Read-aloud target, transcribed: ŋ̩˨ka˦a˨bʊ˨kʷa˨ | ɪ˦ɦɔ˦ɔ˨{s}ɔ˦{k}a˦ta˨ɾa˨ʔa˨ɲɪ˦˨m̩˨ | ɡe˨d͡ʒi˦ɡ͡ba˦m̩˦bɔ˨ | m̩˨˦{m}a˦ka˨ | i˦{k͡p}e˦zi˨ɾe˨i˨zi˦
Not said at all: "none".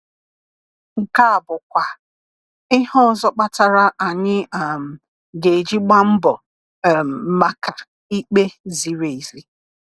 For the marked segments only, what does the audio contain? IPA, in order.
z, k͡p, m, k͡p

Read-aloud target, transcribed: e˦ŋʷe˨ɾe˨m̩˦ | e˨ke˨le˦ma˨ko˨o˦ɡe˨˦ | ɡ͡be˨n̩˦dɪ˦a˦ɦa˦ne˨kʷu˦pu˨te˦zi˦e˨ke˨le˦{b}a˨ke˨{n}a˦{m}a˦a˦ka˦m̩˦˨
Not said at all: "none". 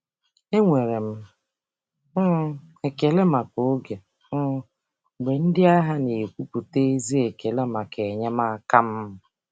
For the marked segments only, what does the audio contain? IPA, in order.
m, ɲ, m

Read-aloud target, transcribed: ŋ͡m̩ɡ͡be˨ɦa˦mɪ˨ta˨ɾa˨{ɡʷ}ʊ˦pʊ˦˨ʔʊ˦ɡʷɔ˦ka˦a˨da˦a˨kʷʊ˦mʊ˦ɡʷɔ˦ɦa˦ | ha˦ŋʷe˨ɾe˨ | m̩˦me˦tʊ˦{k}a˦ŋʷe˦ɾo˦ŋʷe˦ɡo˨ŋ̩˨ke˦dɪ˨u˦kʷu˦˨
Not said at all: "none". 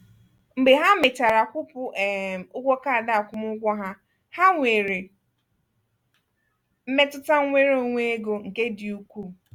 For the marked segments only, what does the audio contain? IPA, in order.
kʷ, t

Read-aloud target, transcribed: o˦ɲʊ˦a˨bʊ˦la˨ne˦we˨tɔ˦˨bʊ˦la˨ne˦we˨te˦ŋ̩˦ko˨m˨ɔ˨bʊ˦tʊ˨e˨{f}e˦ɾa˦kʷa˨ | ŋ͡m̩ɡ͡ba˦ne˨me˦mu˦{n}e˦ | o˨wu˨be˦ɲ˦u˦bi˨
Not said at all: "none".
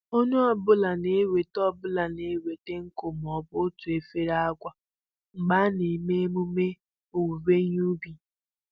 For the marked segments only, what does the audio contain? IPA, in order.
f, m

